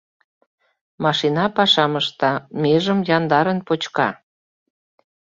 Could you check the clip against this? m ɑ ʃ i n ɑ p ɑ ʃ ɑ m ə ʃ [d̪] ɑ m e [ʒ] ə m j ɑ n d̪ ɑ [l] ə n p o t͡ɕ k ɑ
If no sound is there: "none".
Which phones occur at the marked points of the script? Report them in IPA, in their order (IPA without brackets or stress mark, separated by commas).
t̪, ʒ, ɾ